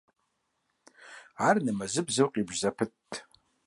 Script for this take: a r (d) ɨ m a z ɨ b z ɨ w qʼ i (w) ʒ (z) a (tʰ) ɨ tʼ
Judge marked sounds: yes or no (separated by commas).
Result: no, no, yes, no